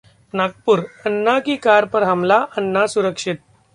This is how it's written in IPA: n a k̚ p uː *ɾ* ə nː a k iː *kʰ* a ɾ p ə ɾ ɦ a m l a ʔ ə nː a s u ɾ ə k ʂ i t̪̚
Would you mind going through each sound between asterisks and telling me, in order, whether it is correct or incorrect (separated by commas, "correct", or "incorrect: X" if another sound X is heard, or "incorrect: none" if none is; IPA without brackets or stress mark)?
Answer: correct, incorrect: k